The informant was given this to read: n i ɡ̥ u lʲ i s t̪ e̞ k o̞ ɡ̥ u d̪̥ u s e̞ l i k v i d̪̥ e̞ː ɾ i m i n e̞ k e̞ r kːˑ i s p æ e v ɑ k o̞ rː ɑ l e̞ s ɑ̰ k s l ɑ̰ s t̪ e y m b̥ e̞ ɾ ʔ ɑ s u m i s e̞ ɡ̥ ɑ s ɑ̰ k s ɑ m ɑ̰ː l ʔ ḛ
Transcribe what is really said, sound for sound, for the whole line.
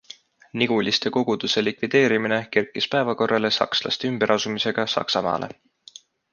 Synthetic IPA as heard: n i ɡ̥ u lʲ i s t̪ e̞ k o̞ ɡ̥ u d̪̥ u s e̞ l i k v i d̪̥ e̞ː ɾ i m i n e̞ k e̞ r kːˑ i s p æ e v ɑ k o̞ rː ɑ l e̞ s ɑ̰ k s l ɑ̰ s t̪ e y m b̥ e̞ ɾ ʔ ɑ s u m i s e̞ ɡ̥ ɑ s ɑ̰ k s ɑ m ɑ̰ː l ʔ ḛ